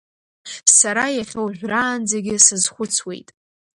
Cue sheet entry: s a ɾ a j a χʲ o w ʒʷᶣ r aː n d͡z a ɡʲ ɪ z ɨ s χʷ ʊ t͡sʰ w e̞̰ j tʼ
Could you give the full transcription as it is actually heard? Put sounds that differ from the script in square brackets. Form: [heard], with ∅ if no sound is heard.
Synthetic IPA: s a ɾ a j a χʲ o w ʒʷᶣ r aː n d͡z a ɡʲ ɪ [s] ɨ [z] χʷ ʊ t͡sʰ w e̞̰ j tʼ